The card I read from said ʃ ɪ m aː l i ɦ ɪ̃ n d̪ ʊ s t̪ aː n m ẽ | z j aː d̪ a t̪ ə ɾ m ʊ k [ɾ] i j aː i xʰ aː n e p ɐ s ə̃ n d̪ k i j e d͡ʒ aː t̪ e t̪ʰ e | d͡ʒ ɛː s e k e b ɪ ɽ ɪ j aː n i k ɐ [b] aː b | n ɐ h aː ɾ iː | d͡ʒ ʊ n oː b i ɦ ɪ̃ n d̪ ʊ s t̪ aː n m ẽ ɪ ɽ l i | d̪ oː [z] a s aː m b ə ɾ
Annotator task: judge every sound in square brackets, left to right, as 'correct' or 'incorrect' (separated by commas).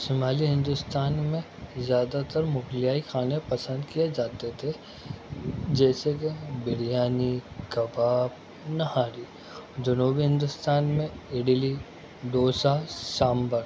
incorrect, correct, incorrect